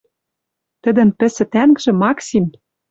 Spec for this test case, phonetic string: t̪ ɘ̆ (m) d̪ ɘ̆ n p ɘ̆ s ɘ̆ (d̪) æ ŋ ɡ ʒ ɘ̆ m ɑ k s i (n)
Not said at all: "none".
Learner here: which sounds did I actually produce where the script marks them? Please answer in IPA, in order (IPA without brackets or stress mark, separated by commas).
none, t̪, m